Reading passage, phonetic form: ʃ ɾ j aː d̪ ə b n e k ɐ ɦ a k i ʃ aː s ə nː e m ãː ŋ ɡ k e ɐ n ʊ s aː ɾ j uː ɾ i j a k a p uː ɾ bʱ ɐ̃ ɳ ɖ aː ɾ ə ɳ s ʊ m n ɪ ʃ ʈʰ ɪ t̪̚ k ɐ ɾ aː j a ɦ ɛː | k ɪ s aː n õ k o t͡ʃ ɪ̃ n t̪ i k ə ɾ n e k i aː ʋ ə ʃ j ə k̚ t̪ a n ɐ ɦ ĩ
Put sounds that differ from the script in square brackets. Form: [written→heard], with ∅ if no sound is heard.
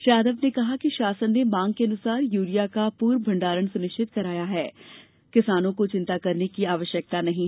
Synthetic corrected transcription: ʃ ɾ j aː d̪ ə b n e k ɐ ɦ a k i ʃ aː s ə nː e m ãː ŋ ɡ k e ɐ n ʊ s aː ɾ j uː ɾ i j a k a p uː ɾ bʱ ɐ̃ ɳ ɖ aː ɾ ə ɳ s ʊ [m→∅] n ɪ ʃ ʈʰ ɪ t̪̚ k ɐ ɾ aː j a ɦ ɛː | k ɪ s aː n õ k o t͡ʃ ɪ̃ n t̪ [i→a] k [ə→ɐ] ɾ n e k i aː ʋ ə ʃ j ə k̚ t̪ a n ɐ ɦ ĩ